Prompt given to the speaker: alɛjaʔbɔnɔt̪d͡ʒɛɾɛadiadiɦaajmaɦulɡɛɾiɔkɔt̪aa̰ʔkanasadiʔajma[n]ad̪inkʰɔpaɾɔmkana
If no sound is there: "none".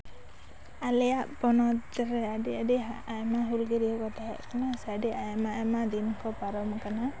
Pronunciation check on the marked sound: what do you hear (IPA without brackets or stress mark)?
m